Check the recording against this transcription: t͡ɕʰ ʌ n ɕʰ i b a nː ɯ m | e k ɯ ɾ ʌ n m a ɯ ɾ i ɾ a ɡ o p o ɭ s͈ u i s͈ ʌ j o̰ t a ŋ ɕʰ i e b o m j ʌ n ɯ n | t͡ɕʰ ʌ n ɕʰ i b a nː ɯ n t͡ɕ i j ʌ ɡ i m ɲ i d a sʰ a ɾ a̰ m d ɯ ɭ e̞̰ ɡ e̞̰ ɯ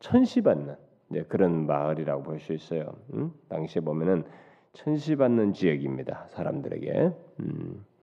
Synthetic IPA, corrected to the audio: t͡ɕʰ ʌ n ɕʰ i b a nː ɯ n | e k ɯ ɾ ʌ n m a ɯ ɾ i ɾ a ɡ o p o ɭ s͈ u i s͈ ʌ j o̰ t a ŋ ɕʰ i e b o m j ʌ n ɯ n | t͡ɕʰ ʌ n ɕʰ i b a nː ɯ n t͡ɕ i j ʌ ɡ i m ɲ i d a sʰ a ɾ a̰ m d ɯ ɾ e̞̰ ɡ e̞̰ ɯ